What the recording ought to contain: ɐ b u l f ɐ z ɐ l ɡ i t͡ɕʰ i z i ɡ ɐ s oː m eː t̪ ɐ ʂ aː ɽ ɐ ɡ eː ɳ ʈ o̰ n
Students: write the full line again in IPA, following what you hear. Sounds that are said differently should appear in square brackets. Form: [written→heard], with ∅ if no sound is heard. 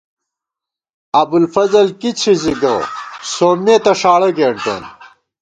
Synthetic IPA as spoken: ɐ b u l f ɐ z ɐ l [ɡ→k] i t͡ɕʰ i z i ɡ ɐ s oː m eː t̪ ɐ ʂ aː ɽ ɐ ɡ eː ɳ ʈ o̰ n